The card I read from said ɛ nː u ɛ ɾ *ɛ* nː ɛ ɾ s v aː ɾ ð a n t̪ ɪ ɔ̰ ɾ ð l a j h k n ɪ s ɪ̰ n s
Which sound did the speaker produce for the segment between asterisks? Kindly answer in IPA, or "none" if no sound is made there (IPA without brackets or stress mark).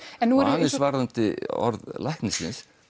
a